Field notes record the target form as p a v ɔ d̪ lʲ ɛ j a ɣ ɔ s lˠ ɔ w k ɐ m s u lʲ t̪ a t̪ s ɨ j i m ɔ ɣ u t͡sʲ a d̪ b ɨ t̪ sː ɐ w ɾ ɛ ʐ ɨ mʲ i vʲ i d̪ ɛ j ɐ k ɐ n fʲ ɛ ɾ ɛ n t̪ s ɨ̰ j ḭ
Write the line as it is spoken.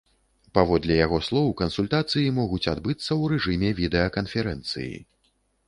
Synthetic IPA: p a v ɔ d̪ lʲ ɛ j a ɣ ɔ s lˠ ɔ w k ɐ n s u lʲ t̪ a t̪ s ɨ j i m ɔ ɣ u t͡sʲ a d̪ b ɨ t̪ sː ɐ w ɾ ɛ ʐ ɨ mʲ ɛ vʲ i d̪ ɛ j ɐ k ɐ n fʲ ɛ ɾ ɛ n t̪ s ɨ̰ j ḭ